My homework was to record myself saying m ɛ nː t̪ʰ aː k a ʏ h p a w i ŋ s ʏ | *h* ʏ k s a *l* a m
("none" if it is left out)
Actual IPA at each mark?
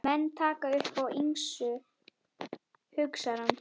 h, ɾ

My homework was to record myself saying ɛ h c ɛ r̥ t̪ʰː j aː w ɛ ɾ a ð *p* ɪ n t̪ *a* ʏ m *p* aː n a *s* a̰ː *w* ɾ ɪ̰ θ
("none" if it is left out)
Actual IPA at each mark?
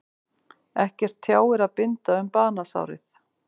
p, a, p, s, w

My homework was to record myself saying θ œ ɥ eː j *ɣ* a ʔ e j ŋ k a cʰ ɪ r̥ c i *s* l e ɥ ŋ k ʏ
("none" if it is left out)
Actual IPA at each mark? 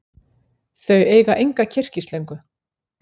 ɣ, s

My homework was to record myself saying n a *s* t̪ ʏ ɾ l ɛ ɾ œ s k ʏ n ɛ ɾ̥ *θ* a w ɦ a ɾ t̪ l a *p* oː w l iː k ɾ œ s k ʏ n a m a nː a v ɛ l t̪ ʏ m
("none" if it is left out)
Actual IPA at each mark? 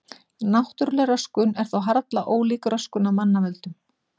h, θ, ʔ

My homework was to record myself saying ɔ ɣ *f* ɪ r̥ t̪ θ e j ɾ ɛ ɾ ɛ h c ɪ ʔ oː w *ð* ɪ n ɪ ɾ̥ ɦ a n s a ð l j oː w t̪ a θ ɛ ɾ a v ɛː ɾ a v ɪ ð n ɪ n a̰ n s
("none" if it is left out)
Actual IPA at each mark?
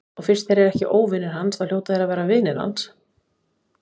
f, v

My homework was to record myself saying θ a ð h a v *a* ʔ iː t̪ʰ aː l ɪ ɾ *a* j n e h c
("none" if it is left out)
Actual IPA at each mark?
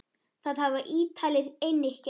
a, e

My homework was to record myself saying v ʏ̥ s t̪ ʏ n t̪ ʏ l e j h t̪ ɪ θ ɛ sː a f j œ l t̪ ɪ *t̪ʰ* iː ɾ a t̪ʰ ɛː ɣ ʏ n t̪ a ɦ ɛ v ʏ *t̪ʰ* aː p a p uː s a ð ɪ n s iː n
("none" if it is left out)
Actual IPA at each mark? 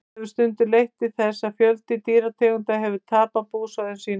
t̪, t̪ʰ

